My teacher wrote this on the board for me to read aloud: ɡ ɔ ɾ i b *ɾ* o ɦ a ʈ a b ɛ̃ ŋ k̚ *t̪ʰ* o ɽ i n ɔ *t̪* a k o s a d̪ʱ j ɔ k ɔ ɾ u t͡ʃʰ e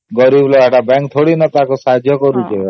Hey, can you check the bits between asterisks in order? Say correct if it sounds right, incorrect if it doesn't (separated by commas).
incorrect, correct, correct